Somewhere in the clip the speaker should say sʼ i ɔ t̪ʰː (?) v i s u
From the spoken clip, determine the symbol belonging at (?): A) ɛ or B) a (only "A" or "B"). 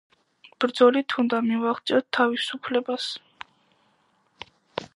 B